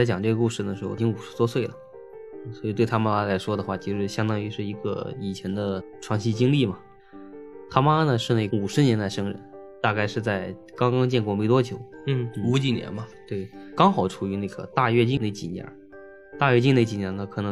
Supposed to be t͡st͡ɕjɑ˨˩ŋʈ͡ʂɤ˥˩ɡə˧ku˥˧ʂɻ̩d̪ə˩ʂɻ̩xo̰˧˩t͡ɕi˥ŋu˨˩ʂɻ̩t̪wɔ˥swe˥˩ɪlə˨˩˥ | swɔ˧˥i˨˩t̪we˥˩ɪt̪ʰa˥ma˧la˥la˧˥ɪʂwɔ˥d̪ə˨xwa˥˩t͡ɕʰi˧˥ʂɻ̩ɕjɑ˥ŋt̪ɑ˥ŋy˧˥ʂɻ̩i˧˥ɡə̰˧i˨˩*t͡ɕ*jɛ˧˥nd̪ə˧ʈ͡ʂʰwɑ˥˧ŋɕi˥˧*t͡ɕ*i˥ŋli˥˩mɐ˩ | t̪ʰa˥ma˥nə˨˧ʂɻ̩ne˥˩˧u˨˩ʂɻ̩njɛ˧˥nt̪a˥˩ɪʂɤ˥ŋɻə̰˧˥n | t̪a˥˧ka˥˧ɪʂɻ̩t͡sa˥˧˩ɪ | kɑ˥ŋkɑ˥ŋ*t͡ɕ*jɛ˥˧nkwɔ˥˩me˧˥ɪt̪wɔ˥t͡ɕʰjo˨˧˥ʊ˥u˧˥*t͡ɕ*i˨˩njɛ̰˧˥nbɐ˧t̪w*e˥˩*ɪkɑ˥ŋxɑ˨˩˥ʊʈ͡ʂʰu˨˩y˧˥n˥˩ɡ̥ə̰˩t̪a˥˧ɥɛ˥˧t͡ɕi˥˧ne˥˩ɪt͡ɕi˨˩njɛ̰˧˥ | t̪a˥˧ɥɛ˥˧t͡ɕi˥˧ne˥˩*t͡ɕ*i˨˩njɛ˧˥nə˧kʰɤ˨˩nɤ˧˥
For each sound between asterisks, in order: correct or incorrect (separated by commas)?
incorrect, correct, correct, correct, correct, correct